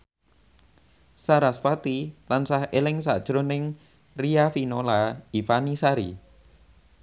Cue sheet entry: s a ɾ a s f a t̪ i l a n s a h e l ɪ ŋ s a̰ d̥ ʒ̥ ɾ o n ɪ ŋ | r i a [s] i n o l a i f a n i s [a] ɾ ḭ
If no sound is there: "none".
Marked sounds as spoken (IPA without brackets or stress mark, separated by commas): f, a